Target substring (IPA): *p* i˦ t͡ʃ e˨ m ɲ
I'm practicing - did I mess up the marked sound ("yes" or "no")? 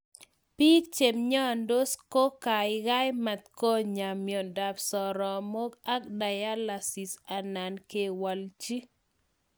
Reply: no